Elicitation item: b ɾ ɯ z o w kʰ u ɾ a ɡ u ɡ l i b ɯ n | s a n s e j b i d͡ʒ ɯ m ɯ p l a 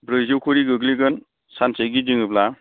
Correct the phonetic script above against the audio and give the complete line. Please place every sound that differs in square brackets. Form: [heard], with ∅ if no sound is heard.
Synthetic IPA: b ɾ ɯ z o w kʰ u ɾ [i] ɡ [ɯ] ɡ l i [ɡ] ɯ n | s a n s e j [ɡ] i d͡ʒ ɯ [ŋ] ɯ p l a